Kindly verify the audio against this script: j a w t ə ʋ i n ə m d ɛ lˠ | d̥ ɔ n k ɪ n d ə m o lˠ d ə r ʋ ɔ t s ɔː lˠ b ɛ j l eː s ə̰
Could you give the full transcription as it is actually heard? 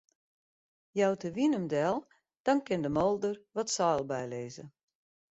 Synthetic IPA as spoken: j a w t ə ʋ i n ə m d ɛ lˠ | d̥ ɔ n k ɪ n d ə m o lˠ d ə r ʋ ɔ t s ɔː lˠ b ɛ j l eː z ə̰